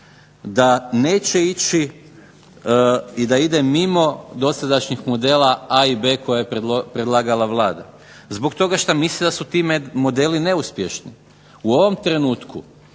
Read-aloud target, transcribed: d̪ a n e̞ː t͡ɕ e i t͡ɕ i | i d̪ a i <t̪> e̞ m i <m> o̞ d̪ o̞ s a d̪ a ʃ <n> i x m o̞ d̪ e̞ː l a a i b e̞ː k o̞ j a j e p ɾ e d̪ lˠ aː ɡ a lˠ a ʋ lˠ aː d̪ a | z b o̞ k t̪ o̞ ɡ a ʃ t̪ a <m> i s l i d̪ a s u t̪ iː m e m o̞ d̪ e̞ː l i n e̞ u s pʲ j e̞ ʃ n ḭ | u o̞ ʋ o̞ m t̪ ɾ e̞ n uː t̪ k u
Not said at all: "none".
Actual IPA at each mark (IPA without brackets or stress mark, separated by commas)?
d̪, m, ɲ, m